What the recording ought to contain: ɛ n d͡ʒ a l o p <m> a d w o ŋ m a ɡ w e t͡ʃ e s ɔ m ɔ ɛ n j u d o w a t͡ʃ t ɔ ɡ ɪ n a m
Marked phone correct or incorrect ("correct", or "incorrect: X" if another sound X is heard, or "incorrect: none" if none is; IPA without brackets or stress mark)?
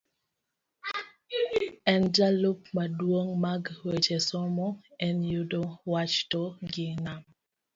correct